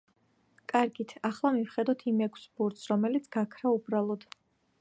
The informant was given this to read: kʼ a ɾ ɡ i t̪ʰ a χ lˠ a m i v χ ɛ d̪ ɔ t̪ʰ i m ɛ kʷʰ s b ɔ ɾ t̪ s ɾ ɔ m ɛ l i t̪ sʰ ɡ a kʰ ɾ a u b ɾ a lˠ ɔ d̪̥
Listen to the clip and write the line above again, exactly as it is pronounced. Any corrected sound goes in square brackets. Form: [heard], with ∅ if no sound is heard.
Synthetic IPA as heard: kʼ a ɾ ɡ i t̪ʰ a χ lˠ a m i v χ ɛ d̪ ɔ t̪ʰ i m ɛ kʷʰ s b [u] ɾ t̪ s ɾ ɔ m ɛ l i t̪ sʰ ɡ a kʰ ɾ a u b ɾ a lˠ ɔ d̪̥